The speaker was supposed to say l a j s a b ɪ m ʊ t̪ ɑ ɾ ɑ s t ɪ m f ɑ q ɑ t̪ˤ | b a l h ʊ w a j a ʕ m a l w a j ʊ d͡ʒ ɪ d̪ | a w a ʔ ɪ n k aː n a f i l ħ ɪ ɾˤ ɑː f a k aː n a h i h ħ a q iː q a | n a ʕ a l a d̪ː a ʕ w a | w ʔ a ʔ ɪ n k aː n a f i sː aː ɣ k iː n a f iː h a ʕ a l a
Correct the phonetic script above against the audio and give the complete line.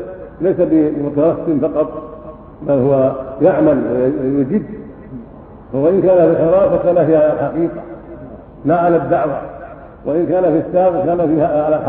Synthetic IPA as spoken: l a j s a b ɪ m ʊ t̪ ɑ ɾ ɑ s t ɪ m f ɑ q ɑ t̪ˤ | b a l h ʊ w a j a ʕ m a l w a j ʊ d͡ʒ ɪ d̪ | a w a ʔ ɪ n k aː n a f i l ħ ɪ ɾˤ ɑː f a k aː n a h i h ħ a q iː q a | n a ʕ a l a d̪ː a ʕ w a | w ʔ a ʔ ɪ n k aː n a f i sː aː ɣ k aː n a f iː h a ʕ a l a